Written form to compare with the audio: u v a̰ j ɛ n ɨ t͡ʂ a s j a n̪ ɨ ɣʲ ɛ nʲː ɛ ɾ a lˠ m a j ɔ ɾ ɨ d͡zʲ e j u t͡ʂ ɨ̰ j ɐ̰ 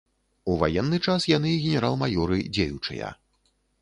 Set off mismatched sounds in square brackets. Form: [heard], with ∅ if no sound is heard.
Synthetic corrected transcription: u v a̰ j ɛ [nː] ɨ t͡ʂ a s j a n̪ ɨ ɣʲ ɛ [nʲ] ɛ ɾ a lˠ m a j ɔ ɾ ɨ d͡zʲ e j u t͡ʂ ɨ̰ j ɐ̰